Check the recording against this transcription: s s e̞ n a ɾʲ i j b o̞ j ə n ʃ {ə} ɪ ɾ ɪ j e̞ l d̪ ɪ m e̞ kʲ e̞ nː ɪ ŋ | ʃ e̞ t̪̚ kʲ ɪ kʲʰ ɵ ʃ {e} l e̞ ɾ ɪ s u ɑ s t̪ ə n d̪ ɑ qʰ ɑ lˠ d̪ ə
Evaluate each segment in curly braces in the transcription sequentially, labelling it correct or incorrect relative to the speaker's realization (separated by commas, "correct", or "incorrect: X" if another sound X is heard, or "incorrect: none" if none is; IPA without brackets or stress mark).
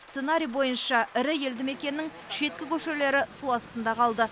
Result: incorrect: ɑ, correct